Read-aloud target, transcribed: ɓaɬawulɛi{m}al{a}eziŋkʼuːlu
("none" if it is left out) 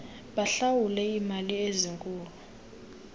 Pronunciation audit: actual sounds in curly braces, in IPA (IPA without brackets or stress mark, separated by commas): m, i